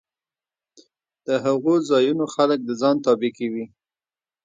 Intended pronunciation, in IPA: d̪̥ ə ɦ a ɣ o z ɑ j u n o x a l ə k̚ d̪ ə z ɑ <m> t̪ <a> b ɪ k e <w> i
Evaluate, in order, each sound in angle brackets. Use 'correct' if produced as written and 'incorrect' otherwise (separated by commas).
incorrect, incorrect, correct